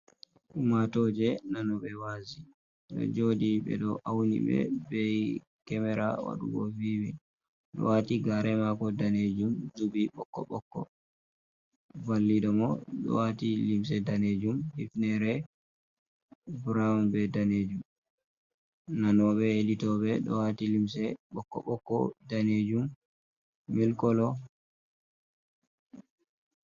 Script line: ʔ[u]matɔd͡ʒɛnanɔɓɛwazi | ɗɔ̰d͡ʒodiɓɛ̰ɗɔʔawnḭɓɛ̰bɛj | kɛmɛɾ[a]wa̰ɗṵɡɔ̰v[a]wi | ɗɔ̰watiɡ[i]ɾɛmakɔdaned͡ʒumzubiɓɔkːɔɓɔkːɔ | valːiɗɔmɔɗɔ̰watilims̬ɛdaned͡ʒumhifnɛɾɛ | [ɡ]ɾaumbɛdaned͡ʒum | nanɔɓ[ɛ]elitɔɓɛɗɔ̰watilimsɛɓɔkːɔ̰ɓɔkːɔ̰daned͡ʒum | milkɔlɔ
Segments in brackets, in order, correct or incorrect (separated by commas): correct, correct, incorrect, incorrect, incorrect, correct